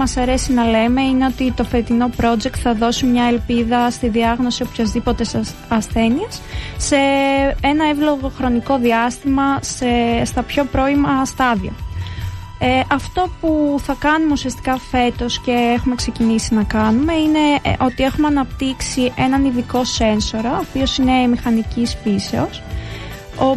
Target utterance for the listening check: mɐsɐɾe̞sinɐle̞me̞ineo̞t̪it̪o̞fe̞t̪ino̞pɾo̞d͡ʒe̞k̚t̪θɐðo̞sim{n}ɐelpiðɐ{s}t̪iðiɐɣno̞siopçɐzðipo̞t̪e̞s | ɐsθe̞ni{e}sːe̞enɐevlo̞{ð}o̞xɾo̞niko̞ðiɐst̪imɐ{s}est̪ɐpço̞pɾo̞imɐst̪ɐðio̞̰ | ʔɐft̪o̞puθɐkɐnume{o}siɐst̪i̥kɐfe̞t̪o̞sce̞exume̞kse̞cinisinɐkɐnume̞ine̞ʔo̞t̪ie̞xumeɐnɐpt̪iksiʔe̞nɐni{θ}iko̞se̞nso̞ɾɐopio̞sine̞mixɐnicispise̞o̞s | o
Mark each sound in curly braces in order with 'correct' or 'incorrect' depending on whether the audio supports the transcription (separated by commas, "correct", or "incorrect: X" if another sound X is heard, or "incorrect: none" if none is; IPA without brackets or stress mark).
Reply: incorrect: ɲ, correct, correct, incorrect: ɣ, correct, incorrect: u, incorrect: ð